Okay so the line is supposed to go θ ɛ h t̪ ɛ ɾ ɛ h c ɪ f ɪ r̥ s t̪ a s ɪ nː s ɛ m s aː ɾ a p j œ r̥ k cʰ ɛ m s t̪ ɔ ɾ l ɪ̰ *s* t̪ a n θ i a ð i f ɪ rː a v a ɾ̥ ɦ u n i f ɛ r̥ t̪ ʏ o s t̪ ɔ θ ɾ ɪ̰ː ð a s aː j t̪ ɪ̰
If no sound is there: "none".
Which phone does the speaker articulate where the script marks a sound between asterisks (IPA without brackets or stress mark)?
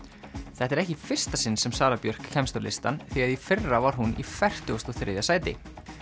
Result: s